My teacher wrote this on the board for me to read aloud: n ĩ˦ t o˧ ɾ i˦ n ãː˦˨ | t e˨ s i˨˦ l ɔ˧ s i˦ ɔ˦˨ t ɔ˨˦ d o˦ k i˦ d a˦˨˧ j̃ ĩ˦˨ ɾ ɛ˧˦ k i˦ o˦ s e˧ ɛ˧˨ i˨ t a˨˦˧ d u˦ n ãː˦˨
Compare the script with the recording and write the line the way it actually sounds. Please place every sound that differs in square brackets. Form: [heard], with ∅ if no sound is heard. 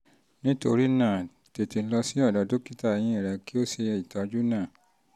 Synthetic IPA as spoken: n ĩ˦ t o˧ ɾ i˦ n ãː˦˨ | t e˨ [t] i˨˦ l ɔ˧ s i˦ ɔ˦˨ [d] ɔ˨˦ d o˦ k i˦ [t] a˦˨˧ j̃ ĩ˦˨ ɾ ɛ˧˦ k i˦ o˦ s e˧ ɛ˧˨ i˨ t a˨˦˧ [d͡ʒ] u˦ n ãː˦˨